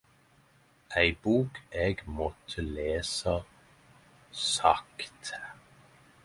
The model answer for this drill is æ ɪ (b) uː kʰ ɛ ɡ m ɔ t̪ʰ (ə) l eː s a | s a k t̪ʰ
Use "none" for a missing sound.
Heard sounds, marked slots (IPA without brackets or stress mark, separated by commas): b, ə